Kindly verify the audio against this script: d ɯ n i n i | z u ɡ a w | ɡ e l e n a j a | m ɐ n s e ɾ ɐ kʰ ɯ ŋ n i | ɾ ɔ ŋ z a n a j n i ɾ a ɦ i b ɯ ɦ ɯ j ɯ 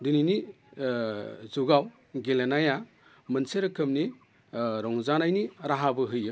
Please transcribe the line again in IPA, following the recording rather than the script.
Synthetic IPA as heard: d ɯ n i n i | z u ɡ a w | ɡ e l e n a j a | m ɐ n s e ɾ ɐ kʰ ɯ m n i | ɾ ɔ ŋ z a n a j n i ɾ a ɦ a b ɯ ɦ ɯ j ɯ